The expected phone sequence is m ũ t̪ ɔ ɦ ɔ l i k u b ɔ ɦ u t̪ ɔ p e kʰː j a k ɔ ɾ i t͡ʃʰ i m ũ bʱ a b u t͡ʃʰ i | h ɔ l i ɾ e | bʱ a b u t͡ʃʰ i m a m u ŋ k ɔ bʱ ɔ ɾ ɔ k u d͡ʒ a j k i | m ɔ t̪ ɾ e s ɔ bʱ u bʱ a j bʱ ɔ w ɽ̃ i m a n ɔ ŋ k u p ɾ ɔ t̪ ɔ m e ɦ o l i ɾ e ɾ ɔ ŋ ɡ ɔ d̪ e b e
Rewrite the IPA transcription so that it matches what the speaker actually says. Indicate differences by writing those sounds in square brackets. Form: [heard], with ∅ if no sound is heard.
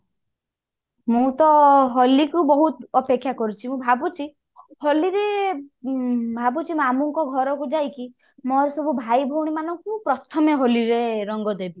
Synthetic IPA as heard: m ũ t̪ ɔ ɦ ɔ l i k u b ɔ ɦ u t̪ ɔ p e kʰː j a k ɔ ɾ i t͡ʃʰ i m ũ bʱ a b u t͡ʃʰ i | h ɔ l i ɾ e | bʱ a b u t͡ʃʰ i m a m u ŋ k ɔ [ɡʱ] ɔ ɾ ɔ k u d͡ʒ a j k i | m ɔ [∅] ɾ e s ɔ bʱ u bʱ a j bʱ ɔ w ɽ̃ i m a n ɔ ŋ k u p ɾ ɔ [t̪ʰ] ɔ m e ɦ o l i ɾ e ɾ ɔ ŋ ɡ ɔ d̪ e b [i]